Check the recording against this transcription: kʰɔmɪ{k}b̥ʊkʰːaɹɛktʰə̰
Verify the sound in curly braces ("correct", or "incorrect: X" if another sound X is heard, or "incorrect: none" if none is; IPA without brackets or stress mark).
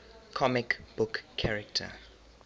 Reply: correct